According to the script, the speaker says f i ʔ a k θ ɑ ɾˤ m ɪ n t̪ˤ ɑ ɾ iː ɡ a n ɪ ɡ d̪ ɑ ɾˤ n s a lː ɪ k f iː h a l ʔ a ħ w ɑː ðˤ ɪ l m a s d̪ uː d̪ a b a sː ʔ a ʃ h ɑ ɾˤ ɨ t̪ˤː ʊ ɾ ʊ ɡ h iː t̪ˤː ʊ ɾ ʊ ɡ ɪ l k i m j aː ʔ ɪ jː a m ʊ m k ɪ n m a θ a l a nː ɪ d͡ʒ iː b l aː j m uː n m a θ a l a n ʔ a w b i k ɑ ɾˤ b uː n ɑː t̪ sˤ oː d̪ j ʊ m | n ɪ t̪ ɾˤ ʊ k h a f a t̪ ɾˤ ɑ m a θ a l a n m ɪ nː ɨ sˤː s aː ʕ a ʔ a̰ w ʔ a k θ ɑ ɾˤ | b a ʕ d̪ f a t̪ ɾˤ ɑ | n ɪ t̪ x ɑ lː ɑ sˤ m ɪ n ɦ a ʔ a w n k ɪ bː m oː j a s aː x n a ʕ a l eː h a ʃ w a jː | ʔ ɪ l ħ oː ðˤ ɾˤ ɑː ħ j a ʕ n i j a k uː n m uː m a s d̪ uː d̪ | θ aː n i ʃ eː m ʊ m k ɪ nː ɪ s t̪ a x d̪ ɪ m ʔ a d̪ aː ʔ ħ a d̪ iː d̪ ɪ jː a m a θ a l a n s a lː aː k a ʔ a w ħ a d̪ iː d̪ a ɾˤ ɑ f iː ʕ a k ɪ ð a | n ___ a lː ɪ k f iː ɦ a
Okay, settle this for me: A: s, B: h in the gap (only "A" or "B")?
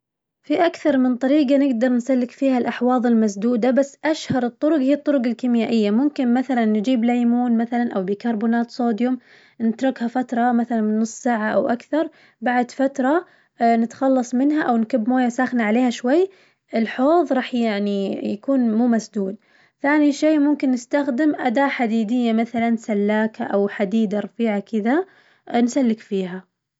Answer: A